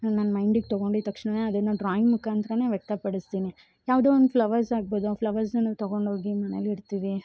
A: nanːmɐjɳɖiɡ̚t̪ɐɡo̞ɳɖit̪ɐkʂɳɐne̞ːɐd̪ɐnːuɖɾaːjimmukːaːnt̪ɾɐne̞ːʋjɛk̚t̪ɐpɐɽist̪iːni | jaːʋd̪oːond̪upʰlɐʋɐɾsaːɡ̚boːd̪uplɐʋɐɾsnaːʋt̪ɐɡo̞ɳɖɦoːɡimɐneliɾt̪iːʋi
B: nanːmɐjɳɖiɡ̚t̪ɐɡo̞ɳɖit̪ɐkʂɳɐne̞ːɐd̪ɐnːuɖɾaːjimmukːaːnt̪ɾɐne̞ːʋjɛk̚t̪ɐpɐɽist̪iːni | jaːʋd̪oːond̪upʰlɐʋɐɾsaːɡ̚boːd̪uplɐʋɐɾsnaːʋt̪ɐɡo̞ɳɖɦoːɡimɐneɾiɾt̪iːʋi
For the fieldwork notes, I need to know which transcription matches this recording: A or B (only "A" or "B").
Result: A